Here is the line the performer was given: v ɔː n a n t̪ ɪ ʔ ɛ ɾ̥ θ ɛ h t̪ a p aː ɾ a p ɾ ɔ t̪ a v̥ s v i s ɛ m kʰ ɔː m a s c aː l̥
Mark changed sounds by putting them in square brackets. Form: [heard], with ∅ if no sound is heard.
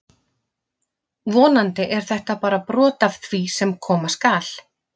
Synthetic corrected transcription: v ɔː n a n t̪ ɪ ʔ ɛ ɾ̥ θ ɛ h t̪ a p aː ɾ a p ɾ [ɔː] t̪ a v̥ [θ] v i s ɛ m kʰ ɔː m a s [k] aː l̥